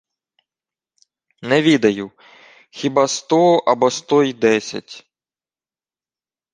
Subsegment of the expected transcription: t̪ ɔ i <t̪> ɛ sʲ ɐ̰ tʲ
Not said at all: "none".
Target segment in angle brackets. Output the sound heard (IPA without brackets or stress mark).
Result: d̪